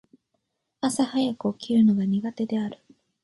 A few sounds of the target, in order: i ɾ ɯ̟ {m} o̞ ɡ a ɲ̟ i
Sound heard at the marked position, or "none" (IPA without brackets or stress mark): n